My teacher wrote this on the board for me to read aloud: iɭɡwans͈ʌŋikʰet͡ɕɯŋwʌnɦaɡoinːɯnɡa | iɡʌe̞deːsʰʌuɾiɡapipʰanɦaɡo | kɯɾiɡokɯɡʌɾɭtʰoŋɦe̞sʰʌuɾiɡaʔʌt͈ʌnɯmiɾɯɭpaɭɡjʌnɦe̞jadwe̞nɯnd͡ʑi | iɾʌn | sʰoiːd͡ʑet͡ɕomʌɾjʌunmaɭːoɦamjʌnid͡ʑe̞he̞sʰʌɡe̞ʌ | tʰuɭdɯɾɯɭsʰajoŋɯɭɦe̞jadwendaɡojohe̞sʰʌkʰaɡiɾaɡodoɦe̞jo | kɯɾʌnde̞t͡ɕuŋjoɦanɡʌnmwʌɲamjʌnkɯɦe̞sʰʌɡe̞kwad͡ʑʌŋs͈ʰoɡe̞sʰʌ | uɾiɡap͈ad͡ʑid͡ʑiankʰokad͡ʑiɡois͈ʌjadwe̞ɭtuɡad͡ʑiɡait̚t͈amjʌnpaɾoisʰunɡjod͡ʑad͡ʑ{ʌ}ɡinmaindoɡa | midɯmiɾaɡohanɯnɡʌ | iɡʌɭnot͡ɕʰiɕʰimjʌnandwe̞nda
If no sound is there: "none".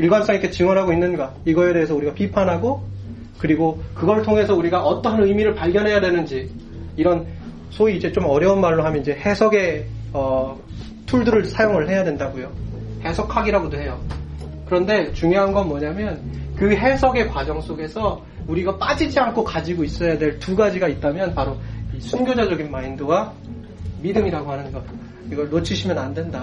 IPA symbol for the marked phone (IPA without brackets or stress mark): ʌ